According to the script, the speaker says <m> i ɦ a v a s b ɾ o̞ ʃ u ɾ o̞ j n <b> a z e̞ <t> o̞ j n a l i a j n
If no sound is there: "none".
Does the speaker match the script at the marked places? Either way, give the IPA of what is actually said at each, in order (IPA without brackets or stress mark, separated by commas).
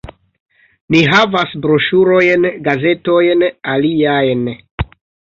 n, ɡ, t